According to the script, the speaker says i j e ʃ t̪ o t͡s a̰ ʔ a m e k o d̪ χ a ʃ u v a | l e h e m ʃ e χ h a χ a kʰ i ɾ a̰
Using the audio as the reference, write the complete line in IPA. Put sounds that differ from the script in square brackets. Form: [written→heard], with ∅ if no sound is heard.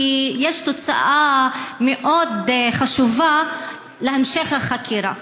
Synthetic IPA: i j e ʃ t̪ o t͡s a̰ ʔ a m e [k→ʔ] o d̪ χ a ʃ u v a | l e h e m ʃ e χ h a χ a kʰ i ɾ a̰

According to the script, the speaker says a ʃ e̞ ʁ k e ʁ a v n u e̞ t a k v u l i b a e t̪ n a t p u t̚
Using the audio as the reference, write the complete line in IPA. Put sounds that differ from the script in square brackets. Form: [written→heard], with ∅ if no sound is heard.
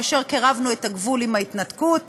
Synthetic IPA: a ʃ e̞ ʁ k e ʁ a v n u e̞ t a [k→ɡ] v u l i [b→m] a [e→i] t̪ n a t [p→k] u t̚

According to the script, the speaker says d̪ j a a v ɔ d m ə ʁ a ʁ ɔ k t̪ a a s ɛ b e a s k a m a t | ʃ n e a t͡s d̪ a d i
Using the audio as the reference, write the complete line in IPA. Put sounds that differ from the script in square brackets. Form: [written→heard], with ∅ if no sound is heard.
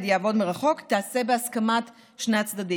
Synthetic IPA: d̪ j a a v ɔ d m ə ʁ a [ʁ→χ] ɔ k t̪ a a s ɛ b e a s k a m a t | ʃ n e a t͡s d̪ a d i

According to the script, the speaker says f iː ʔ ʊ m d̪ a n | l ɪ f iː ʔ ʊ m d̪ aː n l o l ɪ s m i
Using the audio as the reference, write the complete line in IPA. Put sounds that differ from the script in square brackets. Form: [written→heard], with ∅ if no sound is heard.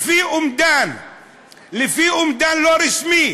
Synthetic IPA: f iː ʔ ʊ m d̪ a n | l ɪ f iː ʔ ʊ m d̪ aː n l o [l→ɾ] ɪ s m i

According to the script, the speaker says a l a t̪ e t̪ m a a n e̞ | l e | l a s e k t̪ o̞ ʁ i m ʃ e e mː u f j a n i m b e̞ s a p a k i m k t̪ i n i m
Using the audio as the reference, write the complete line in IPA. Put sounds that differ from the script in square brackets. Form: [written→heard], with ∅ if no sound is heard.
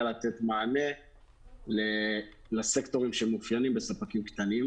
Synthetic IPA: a l a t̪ e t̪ m a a n e̞ | l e | l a s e k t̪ o̞ ʁ i m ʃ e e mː u f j a n i m b e̞ s a p a k i m k t̪ [i→a] n i m

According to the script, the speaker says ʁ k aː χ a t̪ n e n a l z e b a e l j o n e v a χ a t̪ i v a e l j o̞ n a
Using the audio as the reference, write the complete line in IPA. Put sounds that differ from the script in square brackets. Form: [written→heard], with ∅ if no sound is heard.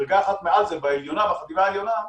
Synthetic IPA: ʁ [k→ɡ] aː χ a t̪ [n→m] e [n→∅] a l z e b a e l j o n [e→a] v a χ a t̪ i v a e l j o̞ n a

